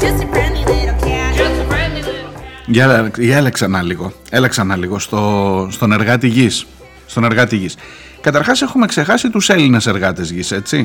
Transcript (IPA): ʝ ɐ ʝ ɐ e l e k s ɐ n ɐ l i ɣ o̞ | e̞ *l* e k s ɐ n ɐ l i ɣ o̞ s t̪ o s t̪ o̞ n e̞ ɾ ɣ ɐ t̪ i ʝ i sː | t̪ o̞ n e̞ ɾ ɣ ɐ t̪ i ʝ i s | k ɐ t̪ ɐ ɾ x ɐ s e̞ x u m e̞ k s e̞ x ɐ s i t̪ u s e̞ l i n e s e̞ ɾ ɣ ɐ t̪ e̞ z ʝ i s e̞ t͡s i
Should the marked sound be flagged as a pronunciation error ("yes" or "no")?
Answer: no